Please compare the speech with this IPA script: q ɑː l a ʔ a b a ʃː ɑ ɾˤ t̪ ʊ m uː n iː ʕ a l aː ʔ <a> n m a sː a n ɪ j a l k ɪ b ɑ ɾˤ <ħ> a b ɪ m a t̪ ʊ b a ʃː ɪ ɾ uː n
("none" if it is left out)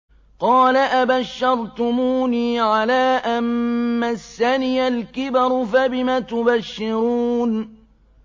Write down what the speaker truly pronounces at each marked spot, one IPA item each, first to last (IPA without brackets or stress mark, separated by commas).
a, f